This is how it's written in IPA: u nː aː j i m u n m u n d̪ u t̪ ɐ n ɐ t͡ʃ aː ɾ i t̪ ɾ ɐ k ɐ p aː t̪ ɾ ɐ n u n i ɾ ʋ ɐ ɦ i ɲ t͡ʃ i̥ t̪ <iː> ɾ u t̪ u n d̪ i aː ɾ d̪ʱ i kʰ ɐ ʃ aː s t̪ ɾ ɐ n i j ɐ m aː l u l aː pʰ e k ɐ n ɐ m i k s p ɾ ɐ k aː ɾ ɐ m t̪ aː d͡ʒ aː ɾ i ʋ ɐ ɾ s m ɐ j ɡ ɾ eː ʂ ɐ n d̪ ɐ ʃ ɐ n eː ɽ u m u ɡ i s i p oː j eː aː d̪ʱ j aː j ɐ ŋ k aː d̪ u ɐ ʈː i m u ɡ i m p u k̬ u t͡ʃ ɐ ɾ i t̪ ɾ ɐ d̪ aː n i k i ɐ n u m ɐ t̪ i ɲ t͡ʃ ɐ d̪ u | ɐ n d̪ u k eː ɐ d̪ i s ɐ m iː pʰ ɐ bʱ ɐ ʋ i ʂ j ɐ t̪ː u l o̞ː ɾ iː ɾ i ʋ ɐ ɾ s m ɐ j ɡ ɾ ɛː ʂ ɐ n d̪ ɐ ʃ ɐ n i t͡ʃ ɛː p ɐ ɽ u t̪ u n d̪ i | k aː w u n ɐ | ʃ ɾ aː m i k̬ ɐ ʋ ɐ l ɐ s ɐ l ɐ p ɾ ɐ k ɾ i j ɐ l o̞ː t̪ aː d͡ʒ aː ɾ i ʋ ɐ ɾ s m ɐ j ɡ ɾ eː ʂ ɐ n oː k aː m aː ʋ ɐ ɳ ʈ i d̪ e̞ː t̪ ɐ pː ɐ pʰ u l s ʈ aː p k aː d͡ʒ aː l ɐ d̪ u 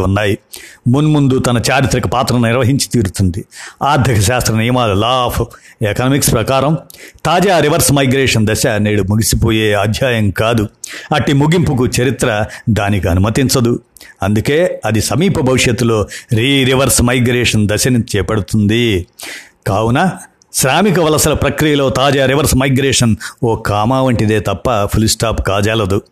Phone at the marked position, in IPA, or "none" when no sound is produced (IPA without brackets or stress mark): iː